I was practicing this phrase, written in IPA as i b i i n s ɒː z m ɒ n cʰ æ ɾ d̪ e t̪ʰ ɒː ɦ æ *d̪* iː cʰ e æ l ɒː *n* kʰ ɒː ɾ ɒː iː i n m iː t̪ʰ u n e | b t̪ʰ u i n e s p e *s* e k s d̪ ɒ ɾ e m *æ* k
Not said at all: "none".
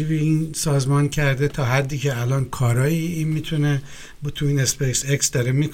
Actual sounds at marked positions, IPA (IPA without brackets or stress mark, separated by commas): d̪ː, n, s, i